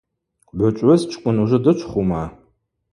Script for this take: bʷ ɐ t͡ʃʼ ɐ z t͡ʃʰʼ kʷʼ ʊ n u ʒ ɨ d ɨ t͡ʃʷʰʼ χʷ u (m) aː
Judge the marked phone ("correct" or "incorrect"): correct